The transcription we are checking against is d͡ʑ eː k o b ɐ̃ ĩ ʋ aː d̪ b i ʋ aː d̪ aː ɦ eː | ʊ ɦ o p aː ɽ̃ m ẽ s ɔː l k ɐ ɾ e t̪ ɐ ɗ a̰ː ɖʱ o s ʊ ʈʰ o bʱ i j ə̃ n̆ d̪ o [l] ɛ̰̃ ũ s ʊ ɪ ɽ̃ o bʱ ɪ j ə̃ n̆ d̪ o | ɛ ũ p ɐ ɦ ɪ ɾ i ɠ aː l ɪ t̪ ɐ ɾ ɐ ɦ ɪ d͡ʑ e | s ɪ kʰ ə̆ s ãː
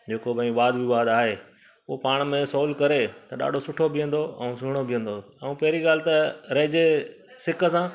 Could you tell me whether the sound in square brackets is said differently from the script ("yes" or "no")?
yes